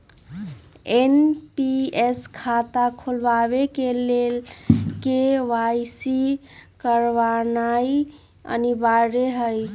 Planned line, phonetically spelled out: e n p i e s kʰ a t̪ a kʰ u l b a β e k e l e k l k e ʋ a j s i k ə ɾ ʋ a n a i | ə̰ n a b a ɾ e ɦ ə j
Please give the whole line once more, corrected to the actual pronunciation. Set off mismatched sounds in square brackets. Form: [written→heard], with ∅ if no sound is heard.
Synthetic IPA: e n p i e s kʰ a t̪ a kʰ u l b a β e k e l e [k→∅] l k e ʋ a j s i k ə ɾ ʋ a n a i | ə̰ n [a→i] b a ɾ e ɦ ə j

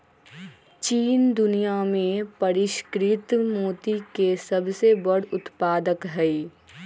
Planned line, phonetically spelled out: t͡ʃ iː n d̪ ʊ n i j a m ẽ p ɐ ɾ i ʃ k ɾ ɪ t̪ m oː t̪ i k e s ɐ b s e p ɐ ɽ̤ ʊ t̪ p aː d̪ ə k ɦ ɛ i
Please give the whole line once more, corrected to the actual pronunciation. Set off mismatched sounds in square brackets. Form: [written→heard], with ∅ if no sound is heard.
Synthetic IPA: t͡ʃ iː n d̪ ʊ n i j a m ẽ p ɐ ɾ [i→ɪ] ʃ k ɾ ɪ t̪ m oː t̪ i k e s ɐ b s e [p→b] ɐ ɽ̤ ʊ t̪ p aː d̪ ə k ɦ ɛ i

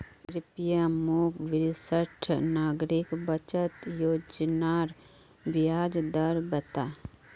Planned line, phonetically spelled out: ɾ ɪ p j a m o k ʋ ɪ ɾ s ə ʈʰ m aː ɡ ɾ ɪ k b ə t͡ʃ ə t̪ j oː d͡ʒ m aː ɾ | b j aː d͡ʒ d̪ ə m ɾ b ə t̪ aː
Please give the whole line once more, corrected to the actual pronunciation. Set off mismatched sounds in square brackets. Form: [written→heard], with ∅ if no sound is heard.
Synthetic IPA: ɾ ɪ p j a m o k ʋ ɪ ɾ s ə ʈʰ [m→n] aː ɡ ɾ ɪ k b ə t͡ʃ ə t̪ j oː d͡ʒ [m→n] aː ɾ | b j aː d͡ʒ d̪ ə [m→∅] ɾ b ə t̪ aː

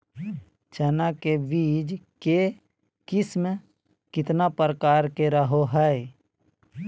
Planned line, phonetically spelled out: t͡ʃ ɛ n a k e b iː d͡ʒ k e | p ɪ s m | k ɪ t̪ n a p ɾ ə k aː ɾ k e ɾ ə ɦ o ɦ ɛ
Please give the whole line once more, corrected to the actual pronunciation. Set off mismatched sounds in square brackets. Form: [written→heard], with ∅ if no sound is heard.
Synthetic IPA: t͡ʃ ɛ n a k e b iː d͡ʒ k e | [p→k] ɪ s m | k ɪ t̪ n a p ɾ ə k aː ɾ k e ɾ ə ɦ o ɦ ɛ

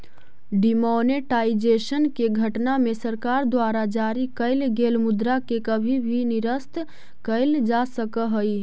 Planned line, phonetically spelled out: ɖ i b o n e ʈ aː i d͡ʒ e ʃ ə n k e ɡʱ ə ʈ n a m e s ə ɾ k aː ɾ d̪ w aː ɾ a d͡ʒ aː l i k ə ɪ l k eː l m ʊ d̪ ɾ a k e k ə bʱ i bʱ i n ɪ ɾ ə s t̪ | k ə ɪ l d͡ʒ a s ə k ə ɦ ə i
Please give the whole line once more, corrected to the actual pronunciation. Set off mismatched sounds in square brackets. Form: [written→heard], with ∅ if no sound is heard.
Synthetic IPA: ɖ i [b→m] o n e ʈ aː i d͡ʒ e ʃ ə n k e ɡʱ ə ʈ n a m e s ə ɾ k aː ɾ d̪ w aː ɾ a d͡ʒ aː [l→ɾ] i k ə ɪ l [k→ɡ] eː l m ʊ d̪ ɾ a k e k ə bʱ i bʱ i n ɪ ɾ ə s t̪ | k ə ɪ l d͡ʒ a s ə k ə ɦ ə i

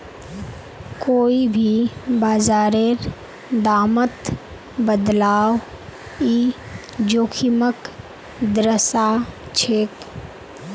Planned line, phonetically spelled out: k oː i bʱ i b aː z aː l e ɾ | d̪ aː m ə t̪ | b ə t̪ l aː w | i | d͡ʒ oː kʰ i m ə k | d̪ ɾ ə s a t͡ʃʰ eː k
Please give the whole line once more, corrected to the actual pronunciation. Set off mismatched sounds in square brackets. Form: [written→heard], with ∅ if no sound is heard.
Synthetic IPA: k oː i bʱ i b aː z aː [l→ɾ] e ɾ | d̪ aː m ə t̪ | b ə [t̪→d̪] l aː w | i | d͡ʒ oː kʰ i m ə k | d̪ ɾ ə s a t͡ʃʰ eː k

